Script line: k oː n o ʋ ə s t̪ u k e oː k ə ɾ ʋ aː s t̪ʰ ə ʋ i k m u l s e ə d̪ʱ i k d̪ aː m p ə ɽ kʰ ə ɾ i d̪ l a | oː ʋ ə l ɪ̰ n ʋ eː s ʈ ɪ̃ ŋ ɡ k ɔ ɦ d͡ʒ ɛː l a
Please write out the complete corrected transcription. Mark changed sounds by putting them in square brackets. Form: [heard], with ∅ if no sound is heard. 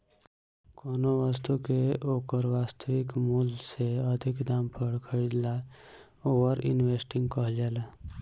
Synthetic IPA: k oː n o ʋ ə s t̪ u k e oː k ə ɾ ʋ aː s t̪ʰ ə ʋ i k m u l s e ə d̪ʱ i k d̪ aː m p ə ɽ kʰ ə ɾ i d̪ l a | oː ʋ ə [ɾ] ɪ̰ n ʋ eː s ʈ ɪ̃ ŋ ɡ k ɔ ɦ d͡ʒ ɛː l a